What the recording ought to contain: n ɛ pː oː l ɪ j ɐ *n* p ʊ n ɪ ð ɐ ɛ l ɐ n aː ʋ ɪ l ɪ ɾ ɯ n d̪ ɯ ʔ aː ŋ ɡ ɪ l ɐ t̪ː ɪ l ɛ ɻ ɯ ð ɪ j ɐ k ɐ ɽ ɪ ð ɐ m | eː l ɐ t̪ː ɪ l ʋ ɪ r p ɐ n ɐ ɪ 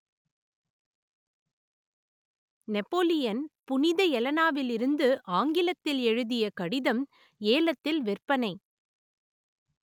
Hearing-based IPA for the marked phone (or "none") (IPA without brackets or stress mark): n